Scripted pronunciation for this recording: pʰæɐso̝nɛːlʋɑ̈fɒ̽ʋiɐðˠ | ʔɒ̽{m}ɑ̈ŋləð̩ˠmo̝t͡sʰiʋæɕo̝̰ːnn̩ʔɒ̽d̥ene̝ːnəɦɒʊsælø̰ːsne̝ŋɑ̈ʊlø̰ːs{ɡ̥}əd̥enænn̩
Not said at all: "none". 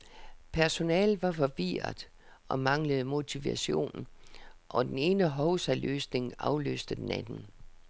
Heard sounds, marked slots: m, d̥

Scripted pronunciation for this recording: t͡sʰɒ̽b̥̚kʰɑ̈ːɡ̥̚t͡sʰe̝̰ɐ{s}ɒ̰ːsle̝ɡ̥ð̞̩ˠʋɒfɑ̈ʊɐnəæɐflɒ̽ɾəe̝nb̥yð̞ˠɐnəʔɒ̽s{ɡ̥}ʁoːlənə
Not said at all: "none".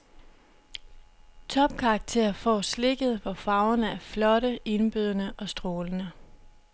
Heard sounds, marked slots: f, d̥

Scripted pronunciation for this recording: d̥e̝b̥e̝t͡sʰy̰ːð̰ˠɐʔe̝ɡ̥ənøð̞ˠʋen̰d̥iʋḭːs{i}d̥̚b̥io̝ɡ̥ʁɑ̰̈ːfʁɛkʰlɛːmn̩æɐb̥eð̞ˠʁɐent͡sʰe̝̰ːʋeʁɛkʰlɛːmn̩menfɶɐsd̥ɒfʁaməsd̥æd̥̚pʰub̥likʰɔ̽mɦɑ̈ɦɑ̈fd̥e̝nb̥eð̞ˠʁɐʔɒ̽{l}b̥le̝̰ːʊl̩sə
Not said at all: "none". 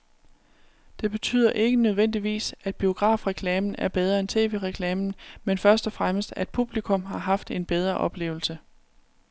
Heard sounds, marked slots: æ, none

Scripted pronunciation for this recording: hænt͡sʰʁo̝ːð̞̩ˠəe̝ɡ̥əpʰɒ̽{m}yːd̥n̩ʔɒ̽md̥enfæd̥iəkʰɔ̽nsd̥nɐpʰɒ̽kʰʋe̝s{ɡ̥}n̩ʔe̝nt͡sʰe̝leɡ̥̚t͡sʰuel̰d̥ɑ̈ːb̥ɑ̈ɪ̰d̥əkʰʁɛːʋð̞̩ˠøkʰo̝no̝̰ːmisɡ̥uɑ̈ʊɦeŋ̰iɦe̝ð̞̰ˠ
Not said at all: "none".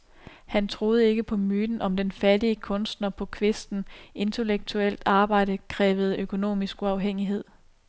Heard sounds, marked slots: m, d̥

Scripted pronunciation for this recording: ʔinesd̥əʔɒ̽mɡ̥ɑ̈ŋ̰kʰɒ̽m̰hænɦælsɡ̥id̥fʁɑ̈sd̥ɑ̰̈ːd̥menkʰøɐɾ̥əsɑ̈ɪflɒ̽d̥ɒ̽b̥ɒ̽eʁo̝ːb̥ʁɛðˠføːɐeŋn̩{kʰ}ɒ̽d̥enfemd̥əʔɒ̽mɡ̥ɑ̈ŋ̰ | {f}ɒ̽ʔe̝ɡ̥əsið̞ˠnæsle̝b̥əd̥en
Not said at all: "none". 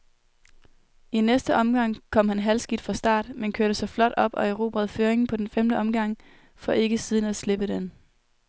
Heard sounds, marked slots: pʰ, f

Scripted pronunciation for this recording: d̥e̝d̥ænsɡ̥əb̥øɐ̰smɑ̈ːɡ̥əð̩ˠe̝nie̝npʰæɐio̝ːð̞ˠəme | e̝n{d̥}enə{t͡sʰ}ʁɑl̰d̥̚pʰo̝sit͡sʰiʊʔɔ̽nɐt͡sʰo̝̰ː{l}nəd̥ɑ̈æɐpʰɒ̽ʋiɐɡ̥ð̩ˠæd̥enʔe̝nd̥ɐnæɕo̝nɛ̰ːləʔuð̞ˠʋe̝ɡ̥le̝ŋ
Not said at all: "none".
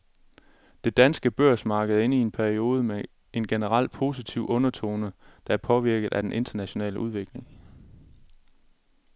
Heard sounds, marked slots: ɡ̥, none, none

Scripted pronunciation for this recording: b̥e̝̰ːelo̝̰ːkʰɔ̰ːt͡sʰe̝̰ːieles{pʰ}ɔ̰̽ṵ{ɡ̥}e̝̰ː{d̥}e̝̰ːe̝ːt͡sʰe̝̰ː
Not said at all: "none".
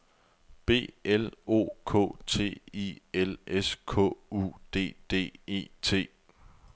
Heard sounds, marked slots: kʰ, d̥, d̥

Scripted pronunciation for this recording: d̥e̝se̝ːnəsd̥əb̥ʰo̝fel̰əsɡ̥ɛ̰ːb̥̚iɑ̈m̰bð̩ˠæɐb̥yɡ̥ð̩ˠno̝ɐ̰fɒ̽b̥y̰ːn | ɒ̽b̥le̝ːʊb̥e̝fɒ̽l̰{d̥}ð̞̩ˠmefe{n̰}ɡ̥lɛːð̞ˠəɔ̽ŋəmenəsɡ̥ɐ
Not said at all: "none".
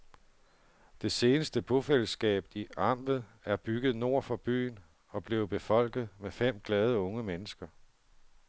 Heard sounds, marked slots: ɡ̥, m̰

